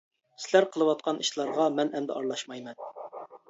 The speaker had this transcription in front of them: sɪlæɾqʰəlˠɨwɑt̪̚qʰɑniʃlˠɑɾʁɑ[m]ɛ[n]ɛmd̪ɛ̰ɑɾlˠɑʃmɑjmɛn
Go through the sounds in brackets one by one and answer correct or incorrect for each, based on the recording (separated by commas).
correct, correct